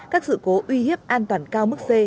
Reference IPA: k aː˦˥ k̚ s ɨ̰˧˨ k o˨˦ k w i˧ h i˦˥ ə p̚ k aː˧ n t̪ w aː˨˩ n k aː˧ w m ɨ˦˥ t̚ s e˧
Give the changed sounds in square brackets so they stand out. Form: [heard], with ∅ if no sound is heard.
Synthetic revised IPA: k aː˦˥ k̚ s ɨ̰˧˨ k o˨˦ [ʔ] w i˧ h i˦˥ ə p̚ [ʔ] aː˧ n t̪ w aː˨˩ n k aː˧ w m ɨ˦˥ [k̚] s e˧